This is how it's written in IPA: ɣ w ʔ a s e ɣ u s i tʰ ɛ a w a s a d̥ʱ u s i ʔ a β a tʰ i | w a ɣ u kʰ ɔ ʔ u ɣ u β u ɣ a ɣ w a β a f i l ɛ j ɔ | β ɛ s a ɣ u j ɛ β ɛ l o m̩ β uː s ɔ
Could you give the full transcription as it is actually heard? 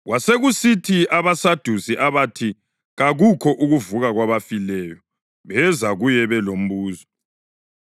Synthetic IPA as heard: ɣ w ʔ a s e ɣ u s i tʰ i a β a s a d̥ʱ u s i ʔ a β a tʰ i | ɣ a ɣ u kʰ ɔ ʔ u ɣ u v u ɣ a ɣ w a β a f i l ɛ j ɔ | β ɛ z a ɣ u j ɛ β ɛ l o m̩ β uː z ɔ